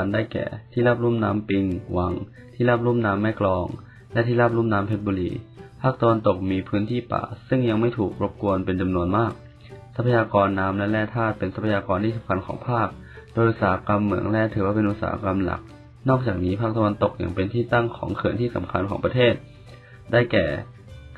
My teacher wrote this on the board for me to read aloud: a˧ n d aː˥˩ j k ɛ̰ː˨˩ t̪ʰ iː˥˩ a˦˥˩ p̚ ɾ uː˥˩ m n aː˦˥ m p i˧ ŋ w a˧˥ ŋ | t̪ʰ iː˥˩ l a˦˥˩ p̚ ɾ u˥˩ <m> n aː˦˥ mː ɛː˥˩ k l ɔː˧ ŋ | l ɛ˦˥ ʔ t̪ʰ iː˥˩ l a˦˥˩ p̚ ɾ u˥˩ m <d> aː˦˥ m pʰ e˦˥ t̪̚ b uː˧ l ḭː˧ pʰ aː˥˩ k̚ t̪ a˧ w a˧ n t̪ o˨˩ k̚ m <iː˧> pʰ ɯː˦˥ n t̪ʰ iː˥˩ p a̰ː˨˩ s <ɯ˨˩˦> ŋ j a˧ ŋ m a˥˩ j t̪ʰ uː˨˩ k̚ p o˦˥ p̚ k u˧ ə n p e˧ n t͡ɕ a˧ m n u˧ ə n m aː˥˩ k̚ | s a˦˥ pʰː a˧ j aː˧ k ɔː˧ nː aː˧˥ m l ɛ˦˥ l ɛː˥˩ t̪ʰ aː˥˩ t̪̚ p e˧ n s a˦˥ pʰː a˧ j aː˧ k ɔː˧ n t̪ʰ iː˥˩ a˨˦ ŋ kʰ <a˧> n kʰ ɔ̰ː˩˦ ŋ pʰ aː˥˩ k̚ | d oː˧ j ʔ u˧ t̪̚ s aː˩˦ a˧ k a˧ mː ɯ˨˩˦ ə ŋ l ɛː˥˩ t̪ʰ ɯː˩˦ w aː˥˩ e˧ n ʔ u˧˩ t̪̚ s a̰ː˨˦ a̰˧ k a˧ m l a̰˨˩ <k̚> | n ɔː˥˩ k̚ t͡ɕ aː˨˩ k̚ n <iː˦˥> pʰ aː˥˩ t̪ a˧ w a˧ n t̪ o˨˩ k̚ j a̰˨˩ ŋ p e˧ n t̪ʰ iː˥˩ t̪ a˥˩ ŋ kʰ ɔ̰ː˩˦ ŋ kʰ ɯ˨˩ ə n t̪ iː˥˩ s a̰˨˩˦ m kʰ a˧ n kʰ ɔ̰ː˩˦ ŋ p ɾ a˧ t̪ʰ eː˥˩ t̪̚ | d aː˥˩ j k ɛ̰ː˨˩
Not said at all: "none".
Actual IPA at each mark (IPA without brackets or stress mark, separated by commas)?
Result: m, n, iː˧, ɯ˥˩, a˧, k̚, iː˦˥